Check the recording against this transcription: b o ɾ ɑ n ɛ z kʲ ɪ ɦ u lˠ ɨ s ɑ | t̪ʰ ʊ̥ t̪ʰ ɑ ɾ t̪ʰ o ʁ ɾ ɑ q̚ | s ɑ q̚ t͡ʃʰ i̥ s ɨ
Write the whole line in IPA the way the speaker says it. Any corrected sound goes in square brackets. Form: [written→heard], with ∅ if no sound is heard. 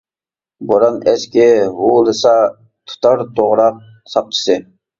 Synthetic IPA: b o ɾ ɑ n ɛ [z→s] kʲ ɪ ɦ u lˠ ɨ s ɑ | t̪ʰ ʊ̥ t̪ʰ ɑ ɾ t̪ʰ o ʁ ɾ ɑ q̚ | s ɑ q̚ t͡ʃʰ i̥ s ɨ